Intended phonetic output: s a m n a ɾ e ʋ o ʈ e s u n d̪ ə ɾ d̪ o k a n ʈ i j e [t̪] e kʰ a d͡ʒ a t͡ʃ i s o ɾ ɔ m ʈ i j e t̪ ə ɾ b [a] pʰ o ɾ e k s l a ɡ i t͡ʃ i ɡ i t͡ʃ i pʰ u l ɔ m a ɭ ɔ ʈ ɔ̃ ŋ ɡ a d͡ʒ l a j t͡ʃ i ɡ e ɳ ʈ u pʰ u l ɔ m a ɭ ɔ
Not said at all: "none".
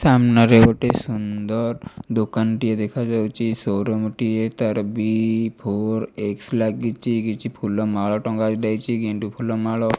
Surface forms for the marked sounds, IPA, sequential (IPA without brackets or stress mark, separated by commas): d̪, i